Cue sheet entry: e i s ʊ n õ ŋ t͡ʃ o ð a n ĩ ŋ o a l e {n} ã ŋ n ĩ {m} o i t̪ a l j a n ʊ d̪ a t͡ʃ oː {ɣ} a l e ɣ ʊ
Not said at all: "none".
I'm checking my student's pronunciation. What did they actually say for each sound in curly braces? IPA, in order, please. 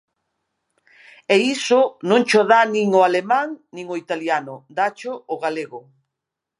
m, ŋ, ɣ

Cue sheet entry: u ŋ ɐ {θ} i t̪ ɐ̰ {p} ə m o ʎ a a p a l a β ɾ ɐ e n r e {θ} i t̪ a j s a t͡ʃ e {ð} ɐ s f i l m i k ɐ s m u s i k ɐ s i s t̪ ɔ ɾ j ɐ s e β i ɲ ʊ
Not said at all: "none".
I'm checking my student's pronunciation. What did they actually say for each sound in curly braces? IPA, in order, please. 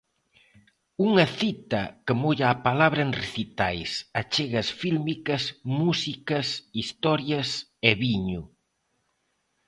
θ, k, θ, ɣ

